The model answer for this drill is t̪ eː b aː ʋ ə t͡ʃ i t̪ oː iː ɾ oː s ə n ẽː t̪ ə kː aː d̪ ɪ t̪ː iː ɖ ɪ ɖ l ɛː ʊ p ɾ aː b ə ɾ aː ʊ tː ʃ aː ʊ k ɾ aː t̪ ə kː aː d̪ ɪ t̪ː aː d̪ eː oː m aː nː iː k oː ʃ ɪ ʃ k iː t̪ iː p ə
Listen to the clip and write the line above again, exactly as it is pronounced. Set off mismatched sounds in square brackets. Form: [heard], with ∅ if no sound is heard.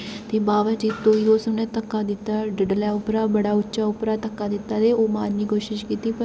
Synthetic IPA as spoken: t̪ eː b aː ʋ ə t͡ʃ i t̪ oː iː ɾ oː s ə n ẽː t̪ ə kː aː d̪ ɪ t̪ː [aː] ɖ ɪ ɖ l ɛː ʊ p ɾ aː b ə [ɽ] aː ʊ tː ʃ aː ʊ [p] ɾ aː t̪ ə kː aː d̪ ɪ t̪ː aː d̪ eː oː m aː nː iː k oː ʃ ɪ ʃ k iː t̪ iː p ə